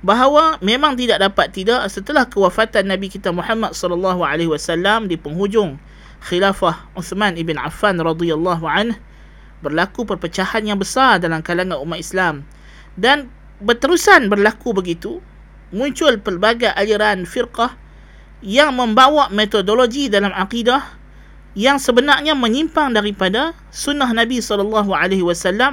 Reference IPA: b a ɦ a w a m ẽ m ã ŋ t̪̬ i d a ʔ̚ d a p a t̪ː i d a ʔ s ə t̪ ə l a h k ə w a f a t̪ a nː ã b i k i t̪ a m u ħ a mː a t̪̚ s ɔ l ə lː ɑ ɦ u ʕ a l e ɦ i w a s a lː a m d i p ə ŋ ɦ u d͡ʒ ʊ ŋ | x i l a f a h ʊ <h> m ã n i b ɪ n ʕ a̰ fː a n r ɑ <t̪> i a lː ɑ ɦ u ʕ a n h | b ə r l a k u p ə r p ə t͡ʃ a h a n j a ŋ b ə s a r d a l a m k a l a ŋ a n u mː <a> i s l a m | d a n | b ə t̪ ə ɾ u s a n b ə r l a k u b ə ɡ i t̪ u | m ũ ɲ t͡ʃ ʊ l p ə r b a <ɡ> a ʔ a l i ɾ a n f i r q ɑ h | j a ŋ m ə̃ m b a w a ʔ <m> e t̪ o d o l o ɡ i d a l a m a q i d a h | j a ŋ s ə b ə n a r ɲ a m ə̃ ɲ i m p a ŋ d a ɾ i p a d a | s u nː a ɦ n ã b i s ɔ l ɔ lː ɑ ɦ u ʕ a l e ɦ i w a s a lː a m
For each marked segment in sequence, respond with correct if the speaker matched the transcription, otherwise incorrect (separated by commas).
incorrect, incorrect, correct, correct, correct